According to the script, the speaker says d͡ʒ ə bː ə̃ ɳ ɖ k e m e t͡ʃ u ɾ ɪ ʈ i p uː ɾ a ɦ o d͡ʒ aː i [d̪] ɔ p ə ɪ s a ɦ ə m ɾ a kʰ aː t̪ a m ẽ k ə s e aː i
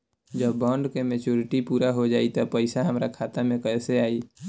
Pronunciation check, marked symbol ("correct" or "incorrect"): incorrect